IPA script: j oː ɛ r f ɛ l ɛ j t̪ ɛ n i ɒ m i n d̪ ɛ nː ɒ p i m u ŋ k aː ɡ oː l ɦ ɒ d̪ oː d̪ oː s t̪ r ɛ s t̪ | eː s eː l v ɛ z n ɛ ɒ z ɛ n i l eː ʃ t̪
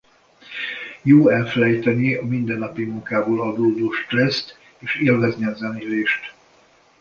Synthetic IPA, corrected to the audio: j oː ɛ l f ɛ l ɛ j t̪ ɛ n i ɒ m i n d̪ ɛ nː ɒ p i m u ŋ k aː b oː l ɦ ɒ d̪ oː d̪ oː ʃ t̪ r ɛ s t̪ | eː ʃ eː l v ɛ z n i ɒ z ɛ n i l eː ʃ t̪